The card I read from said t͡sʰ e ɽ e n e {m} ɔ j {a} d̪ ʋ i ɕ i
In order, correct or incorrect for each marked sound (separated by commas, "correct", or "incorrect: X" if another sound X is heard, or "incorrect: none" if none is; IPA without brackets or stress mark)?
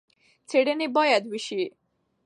incorrect: b, correct